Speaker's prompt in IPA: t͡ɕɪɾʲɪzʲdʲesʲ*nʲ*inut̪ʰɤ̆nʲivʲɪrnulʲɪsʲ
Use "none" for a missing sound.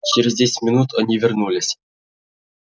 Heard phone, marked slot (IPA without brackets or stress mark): mʲ